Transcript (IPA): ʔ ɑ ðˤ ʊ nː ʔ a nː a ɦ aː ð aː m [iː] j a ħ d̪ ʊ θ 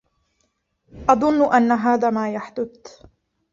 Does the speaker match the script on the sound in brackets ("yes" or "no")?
no